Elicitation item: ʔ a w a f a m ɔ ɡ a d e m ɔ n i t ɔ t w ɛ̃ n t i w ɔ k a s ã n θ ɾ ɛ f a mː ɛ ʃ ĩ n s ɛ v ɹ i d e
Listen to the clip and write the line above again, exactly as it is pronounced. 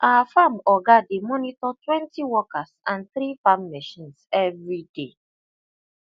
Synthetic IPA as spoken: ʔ a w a f a m ɔ ɡ a d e m ɔ n i t ɔ t w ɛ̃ n t i w ɔ k a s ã n θ ɾ i f a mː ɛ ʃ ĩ n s ɛ v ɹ i d e